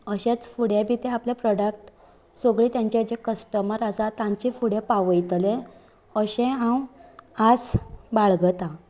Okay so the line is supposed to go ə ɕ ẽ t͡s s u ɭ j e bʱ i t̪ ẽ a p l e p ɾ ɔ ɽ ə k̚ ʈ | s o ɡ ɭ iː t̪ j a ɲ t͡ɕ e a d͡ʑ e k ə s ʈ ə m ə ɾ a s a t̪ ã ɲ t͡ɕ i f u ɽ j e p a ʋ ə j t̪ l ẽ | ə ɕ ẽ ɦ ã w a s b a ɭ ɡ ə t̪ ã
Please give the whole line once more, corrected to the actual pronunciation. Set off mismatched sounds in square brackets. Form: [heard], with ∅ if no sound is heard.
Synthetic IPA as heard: ə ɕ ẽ t͡s [f] u [ɽ] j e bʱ i t̪ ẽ a p l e p ɾ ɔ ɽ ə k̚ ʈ | s o ɡ ɭ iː t̪ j a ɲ t͡ɕ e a d͡ʑ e k ə s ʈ ə m ə ɾ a s a t̪ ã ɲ t͡ɕ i f u ɽ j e p a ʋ ə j t̪ l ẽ | ə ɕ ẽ ɦ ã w a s b a ɭ ɡ ə t̪ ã